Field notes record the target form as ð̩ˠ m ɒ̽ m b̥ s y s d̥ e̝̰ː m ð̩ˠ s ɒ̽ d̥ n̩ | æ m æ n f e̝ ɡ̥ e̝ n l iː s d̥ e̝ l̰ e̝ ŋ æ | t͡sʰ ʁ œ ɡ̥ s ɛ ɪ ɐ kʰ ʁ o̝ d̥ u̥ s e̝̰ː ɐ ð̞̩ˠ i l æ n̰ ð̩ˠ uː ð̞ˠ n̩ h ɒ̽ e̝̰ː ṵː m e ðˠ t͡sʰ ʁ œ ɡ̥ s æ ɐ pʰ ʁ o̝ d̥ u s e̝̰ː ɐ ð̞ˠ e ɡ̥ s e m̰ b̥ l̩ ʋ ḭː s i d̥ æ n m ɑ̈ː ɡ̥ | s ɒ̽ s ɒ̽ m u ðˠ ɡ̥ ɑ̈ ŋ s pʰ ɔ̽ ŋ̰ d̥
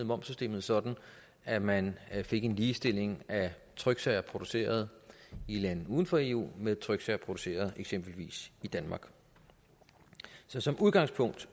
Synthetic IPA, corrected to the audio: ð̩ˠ m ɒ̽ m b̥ s y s d̥ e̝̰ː m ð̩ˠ s ɒ̽ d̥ n̩ | æ m æ n f e̝ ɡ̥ e̝ n l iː s d̥ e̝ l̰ e̝ ŋ æ | t͡sʰ ʁ œ ɡ̥ s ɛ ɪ ɐ pʰ ʁ o̝ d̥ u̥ s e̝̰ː ɐ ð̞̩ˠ i l æ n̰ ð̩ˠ uː ð̞ˠ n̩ f ɒ̽ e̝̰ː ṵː m e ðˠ t͡sʰ ʁ œ ɡ̥ s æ ɐ pʰ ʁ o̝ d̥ u s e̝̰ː ɐ ð̞ˠ e ɡ̥ s e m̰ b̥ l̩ ʋ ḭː s i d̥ æ n m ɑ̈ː ɡ̥ | s ɒ̽ s ɒ̽ m u ðˠ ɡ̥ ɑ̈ ŋ s pʰ ɔ̽ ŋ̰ d̥